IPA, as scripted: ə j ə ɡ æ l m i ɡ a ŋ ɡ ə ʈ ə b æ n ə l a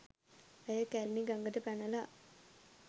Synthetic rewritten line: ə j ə k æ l n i ɡ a ŋ ɡ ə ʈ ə p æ n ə l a

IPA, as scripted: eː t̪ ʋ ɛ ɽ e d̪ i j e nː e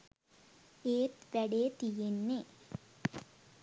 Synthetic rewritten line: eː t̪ ʋ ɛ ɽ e t̪ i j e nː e

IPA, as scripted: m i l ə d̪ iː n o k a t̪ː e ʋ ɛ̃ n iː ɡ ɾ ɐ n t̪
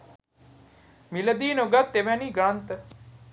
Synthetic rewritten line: m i l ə d̪ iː n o ɡ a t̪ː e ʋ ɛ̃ n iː ɡ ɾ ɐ n t̪

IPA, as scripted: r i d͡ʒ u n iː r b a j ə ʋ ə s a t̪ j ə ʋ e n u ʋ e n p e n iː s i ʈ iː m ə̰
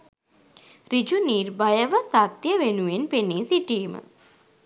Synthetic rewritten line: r i d͡ʒ u n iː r b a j ə ʋ ə s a t̪ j ə ʋ e n u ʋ e n p e n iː s i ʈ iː m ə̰

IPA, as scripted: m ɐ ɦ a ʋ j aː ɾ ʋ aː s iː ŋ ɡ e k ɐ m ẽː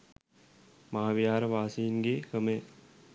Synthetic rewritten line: m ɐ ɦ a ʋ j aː ɾ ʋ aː s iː n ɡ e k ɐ m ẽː

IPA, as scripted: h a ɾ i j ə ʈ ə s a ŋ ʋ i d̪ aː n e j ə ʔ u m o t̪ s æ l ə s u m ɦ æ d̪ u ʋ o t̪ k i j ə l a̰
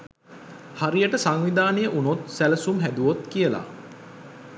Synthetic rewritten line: h a ɾ i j ə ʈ ə s a ŋ ʋ i d̪ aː n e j ə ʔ u n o t̪ s æ l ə s u m ɦ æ d̪ u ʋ o t̪ k i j ə l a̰

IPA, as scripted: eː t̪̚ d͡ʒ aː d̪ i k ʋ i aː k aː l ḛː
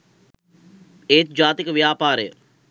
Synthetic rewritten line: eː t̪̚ d͡ʒ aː t̪ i k ʋ j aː p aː ɾ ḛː

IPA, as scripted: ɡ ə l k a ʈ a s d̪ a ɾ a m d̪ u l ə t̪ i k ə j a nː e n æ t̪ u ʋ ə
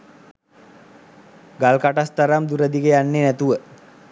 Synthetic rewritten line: ɡ a l k a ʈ a s t̪ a ɾ a m d̪ u ɾ ə d̪ i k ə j a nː e n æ t̪ u ʋ ə

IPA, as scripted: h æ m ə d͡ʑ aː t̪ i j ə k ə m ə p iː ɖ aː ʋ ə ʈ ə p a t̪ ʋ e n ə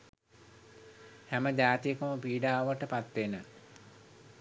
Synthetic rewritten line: h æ m ə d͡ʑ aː t̪ i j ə k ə m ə p iː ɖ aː ʋ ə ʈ ə p a t̪ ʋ e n ə

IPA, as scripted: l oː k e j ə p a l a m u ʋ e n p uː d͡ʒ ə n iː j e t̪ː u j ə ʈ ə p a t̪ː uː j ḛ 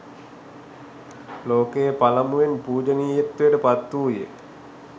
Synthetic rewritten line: l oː k e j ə p a l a m u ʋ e n p uː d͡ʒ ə n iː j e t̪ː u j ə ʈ ə p a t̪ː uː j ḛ

